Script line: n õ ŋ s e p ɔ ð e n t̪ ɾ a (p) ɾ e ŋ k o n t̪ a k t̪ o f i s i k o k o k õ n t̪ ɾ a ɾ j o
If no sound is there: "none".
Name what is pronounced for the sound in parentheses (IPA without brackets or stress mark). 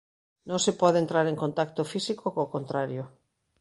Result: none